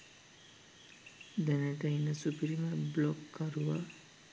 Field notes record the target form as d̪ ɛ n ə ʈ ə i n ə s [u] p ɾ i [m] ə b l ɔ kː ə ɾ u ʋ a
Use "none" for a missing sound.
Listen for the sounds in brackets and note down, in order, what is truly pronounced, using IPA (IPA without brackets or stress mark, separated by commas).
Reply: u, m